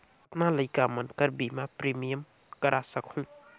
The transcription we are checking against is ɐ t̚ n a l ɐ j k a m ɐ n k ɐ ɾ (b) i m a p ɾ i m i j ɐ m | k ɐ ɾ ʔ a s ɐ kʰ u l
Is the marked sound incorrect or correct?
correct